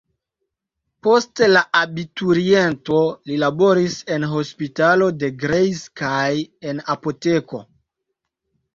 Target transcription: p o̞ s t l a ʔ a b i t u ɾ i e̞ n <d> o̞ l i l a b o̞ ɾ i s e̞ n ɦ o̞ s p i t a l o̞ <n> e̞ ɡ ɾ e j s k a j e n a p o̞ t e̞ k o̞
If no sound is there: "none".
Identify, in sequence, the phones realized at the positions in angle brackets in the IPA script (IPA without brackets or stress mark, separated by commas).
t, d